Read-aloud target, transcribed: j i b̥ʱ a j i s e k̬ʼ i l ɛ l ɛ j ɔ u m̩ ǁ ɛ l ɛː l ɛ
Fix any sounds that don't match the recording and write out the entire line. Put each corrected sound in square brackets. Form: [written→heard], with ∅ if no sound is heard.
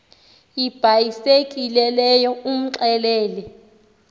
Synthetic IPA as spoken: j i b̥ʱ a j i s e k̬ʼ i l ɛ l ɛ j ɔ u m̩ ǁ ɛ l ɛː l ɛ